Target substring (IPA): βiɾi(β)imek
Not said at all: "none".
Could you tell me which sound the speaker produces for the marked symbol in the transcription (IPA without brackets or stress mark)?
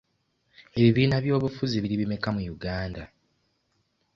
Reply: β